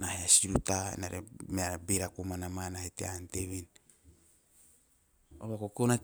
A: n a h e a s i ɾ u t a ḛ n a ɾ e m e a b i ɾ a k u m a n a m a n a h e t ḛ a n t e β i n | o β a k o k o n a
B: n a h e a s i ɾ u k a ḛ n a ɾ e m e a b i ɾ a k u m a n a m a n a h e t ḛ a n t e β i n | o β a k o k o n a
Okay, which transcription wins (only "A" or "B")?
A